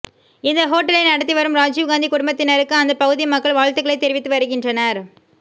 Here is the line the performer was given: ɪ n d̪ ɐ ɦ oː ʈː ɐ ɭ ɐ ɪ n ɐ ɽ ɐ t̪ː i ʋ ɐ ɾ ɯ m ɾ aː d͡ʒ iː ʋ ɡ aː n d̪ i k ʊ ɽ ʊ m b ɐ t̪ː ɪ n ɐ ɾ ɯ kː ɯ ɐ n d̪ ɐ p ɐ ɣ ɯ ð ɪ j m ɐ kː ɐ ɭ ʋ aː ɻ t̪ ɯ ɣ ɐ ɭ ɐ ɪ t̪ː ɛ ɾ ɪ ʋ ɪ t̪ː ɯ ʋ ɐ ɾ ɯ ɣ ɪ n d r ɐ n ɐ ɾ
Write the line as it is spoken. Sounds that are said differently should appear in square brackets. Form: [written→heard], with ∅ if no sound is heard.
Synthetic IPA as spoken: ɪ n d̪ ɐ ɦ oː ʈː ɐ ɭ ɐ ɪ n ɐ ɽ ɐ t̪ː i ʋ ɐ ɾ ɯ m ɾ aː d͡ʒ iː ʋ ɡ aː n d̪ i k ʊ ɽ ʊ m b ɐ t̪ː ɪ n ɐ ɾ ɯ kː ɯ ɐ n d̪ ɐ p ɐ ɣ ɯ ð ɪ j m ɐ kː ɐ ɭ ʋ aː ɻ t̪ ɯ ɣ ɐ ɭ ɐ ɪ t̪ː ɛ ɾ ɪ ʋ ɪ t̪ː ɯ ʋ ɐ ɾ ɯ ɣ ɪ n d r ɐ n ɐ ɾ